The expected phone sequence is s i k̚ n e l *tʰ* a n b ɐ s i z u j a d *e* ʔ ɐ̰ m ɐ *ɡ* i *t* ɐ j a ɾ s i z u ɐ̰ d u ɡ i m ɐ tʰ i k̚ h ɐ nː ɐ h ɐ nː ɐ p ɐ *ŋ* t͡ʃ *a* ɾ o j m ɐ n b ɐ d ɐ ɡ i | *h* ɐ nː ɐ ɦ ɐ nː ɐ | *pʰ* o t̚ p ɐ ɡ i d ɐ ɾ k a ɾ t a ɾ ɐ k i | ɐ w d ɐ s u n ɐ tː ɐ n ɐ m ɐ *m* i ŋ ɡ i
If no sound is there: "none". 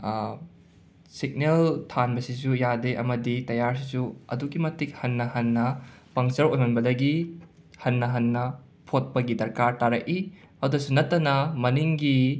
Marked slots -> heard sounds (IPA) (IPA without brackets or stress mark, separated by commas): tʰ, e, d, t, ŋ, ɐ, h, pʰ, n